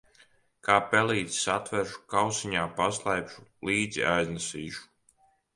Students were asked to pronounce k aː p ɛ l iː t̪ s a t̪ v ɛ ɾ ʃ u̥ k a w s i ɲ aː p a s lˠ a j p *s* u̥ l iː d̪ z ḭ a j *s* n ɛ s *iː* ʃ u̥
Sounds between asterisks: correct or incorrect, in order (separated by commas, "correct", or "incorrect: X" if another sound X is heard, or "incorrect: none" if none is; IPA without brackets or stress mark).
incorrect: ʃ, incorrect: z, correct